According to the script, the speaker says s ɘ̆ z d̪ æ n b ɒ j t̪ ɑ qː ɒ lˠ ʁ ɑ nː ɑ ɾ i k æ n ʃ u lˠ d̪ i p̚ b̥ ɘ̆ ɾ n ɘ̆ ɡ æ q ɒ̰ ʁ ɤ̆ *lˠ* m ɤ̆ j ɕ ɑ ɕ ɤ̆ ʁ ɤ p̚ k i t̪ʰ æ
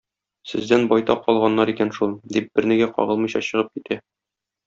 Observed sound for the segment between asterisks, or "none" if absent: lˠ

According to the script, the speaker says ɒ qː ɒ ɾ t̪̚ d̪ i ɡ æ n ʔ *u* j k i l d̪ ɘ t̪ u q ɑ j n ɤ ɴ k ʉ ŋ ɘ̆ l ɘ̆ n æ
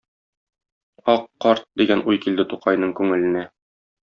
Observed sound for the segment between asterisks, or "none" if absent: u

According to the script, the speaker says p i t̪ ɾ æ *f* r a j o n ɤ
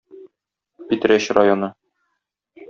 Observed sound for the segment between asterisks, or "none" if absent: ɕ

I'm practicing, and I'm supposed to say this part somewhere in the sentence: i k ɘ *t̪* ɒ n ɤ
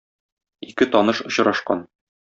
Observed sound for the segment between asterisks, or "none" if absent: t̪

